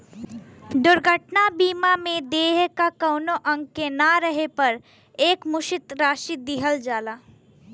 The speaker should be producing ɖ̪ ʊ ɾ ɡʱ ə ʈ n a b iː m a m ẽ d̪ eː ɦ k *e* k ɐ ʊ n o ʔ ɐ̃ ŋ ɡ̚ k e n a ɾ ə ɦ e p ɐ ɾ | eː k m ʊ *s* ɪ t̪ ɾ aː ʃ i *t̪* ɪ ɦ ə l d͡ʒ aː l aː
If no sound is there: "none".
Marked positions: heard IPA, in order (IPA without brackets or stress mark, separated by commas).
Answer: a, ʃ, d̪